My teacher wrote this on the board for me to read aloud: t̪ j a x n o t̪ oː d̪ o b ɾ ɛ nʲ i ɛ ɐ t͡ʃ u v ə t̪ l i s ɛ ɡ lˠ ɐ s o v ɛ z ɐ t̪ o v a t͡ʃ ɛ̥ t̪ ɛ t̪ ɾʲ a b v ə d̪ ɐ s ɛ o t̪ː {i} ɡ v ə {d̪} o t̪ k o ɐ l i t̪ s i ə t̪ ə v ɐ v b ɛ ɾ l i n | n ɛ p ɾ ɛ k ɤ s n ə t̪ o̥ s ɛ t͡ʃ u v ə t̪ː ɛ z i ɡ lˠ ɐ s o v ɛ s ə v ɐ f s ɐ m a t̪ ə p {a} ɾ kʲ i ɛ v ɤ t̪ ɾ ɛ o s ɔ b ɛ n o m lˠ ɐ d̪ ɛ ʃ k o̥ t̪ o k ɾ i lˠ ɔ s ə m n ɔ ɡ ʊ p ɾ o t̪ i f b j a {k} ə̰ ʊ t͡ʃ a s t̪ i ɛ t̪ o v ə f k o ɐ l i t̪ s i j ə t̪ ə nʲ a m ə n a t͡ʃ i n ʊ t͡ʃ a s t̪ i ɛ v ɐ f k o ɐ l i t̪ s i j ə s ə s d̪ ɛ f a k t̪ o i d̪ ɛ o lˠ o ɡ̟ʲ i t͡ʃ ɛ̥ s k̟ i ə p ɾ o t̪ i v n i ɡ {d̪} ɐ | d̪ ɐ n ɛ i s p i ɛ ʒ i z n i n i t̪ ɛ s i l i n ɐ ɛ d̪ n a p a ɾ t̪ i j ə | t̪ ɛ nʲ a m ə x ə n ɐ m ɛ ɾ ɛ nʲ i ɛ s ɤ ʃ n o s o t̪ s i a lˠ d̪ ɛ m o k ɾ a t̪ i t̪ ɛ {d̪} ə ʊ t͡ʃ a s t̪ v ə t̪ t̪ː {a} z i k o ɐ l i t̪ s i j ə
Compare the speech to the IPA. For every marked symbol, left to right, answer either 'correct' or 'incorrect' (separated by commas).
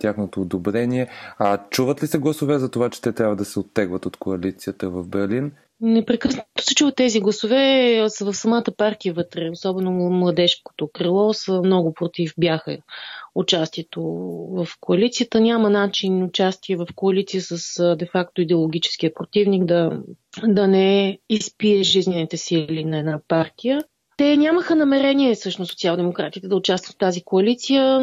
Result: incorrect, incorrect, correct, incorrect, correct, correct, correct